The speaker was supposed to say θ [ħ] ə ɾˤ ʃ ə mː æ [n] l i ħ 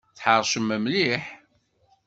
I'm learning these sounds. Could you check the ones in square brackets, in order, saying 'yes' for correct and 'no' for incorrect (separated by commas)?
yes, no